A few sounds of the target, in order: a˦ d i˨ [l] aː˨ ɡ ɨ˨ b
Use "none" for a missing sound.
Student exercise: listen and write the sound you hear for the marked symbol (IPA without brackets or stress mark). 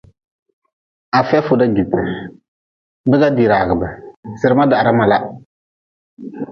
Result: ɾ